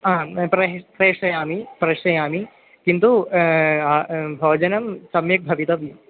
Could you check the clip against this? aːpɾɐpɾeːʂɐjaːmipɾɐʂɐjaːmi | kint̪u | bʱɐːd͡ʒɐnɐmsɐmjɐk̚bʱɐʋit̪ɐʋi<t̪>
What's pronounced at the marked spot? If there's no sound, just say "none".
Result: none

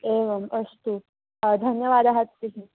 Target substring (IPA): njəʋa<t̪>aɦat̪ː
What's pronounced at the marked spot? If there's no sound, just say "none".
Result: d̪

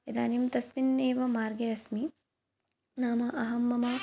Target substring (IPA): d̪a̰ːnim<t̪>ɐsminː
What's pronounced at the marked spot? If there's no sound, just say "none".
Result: t̪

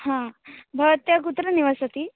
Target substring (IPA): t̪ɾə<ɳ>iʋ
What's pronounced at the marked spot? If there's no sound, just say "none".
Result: n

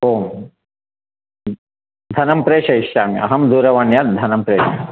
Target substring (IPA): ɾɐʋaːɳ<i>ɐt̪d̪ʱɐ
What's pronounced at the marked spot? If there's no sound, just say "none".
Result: j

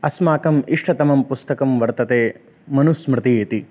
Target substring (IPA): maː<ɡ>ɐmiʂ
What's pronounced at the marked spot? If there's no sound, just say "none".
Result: k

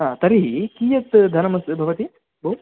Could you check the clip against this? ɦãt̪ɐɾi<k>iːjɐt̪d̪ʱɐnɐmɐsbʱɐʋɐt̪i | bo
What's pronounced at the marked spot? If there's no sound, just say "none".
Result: k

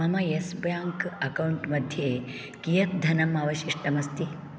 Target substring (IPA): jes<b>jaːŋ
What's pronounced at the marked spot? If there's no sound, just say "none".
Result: b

